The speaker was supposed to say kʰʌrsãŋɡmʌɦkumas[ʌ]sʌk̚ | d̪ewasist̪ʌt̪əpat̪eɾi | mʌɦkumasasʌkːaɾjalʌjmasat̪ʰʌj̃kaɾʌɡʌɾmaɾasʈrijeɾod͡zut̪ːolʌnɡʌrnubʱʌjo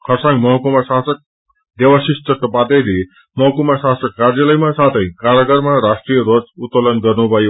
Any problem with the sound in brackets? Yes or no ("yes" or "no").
yes